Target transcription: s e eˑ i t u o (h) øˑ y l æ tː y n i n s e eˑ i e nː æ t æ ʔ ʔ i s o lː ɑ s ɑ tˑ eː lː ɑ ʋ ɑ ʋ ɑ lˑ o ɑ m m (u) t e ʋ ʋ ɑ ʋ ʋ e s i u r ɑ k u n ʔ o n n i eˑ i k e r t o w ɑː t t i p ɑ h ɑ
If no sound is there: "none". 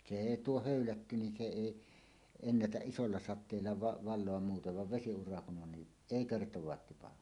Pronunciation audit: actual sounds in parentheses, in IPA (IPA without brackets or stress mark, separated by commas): h, uː